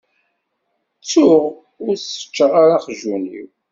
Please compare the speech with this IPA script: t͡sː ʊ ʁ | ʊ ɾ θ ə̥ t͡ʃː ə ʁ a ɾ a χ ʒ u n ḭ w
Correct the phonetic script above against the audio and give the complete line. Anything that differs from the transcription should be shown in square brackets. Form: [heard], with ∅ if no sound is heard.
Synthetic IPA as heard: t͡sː ʊ ʁ | ʊ ɾ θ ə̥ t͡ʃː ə ʁ a ɾ a χ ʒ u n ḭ w